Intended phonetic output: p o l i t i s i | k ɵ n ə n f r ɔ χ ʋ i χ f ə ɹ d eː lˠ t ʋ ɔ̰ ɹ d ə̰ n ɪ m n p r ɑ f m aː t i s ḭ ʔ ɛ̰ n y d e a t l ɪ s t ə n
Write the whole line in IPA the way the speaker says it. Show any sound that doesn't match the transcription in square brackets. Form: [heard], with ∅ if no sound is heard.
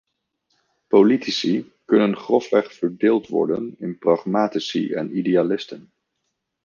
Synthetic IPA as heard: p o l i t i s i | k ɵ n ə n [χ] r ɔ [f] ʋ [ɛ] χ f ə ɹ d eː lˠ t ʋ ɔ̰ ɹ d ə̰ n ɪ [∅] n p r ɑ [χ] m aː t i s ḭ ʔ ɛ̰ n [i] d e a [∅] l ɪ s t ə n